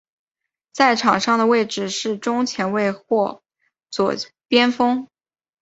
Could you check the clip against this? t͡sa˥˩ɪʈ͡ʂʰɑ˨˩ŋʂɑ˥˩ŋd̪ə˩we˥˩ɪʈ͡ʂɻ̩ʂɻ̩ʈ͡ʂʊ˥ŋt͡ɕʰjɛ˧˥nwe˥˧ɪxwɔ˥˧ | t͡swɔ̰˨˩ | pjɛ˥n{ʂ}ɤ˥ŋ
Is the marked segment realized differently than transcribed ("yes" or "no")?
yes